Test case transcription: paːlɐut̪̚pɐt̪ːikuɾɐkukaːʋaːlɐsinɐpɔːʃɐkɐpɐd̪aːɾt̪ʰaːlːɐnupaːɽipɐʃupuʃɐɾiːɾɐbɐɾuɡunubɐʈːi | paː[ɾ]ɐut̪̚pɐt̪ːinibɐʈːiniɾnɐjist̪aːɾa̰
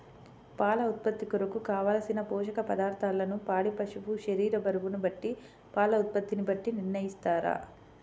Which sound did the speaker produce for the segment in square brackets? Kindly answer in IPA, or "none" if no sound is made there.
l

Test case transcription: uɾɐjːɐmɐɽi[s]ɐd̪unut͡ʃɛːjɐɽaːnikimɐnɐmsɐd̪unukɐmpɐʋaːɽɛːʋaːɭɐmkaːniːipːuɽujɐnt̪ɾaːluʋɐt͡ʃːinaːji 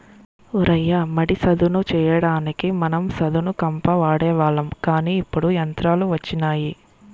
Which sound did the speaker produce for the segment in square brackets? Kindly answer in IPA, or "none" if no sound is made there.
s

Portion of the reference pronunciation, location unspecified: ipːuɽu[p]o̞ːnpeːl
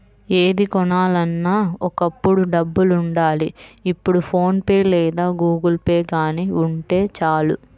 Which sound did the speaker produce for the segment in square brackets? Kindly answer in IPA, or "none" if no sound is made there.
pʰ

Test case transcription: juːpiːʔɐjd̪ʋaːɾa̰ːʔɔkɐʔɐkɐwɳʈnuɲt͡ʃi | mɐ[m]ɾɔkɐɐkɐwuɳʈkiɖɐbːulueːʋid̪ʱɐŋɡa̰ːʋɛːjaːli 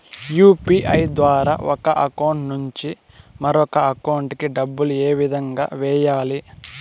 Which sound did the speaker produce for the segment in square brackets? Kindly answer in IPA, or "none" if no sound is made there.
none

